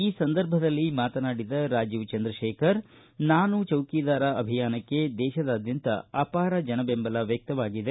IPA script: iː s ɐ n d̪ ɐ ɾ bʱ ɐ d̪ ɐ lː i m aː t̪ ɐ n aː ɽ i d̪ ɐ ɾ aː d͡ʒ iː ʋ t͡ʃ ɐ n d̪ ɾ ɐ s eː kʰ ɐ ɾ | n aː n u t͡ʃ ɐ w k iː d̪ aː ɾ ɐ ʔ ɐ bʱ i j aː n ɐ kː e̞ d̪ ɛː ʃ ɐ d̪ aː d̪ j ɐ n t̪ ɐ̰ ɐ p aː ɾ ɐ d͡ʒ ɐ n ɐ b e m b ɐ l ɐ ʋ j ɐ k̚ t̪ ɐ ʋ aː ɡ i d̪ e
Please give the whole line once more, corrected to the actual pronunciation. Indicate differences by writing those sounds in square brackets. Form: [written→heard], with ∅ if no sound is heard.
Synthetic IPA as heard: iː s ɐ n d̪ ɐ ɾ bʱ ɐ d̪ ɐ lː i m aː t̪ ɐ n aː ɽ i d̪ ɐ ɾ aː d͡ʒ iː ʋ t͡ʃ ɐ n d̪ ɾ ɐ [s→ʃ] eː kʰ ɐ ɾ | n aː n u t͡ʃ ɐ w k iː d̪ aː ɾ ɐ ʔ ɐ bʱ i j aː n ɐ kː e̞ d̪ ɛː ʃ ɐ d̪ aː d̪ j ɐ n t̪ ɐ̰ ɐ p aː ɾ ɐ d͡ʒ ɐ n ɐ b e m b ɐ l ɐ ʋ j ɐ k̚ t̪ ɐ ʋ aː ɡ i d̪ e